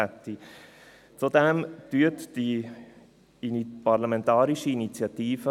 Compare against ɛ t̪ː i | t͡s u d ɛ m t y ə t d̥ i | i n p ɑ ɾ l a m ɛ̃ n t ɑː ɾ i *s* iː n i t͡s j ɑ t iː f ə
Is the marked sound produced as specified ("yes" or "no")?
no